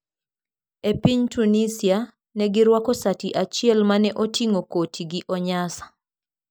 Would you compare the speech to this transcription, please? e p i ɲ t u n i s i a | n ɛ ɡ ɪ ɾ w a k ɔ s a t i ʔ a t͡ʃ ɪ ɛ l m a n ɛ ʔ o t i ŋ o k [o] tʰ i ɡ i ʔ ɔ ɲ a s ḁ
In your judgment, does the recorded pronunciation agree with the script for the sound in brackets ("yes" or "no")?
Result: yes